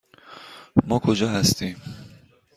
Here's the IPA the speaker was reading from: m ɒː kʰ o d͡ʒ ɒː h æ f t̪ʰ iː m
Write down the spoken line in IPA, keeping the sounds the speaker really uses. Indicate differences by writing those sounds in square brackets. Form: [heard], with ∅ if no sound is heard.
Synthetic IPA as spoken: m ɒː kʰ o d͡ʒ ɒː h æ [s] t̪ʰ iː m